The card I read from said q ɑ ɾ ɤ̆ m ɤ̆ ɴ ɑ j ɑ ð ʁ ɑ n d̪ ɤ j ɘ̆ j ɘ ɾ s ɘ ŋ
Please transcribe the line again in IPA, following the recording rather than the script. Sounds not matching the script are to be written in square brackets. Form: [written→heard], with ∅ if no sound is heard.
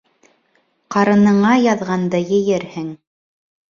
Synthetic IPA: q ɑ ɾ ɤ̆ [m→n] ɤ̆ ɴ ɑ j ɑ ð ʁ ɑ n d̪ ɤ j ɘ̆ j ɘ ɾ [s→h] ɘ ŋ